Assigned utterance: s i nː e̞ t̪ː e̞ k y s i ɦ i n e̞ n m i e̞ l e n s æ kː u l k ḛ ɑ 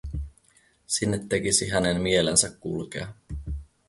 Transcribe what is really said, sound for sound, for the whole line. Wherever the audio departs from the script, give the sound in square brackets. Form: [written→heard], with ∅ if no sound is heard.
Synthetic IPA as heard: s i nː e̞ t̪ː e̞ k [y→i] s i ɦ [i→æ] n e̞ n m i e̞ l e n s æ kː u l k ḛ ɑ